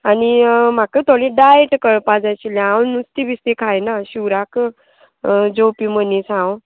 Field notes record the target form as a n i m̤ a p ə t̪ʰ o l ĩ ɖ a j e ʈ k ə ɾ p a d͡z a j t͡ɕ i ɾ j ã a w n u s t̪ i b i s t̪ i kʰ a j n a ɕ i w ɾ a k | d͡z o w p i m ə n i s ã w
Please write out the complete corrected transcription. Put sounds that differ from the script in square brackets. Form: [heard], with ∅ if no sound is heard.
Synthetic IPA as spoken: a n i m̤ a [k] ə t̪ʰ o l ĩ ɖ a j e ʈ k ə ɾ p a d͡z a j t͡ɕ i [l] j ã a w n u s t̪ i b i s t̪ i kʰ a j n a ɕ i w ɾ a k | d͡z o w p i m ə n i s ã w